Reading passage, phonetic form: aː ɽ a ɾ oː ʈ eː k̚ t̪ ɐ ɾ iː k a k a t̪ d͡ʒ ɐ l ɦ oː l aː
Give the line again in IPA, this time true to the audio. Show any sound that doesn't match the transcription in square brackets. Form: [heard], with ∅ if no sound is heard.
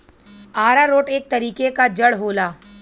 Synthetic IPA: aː [ɾ] a ɾ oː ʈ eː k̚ t̪ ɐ ɾ iː k [e] k a [∅] d͡ʒ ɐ [ɽ] ɦ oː l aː